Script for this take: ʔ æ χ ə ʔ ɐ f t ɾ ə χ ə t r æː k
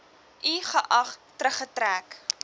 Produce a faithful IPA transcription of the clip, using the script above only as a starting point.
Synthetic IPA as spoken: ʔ i χ ə ʔ ɐ χ t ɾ ə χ ə t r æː k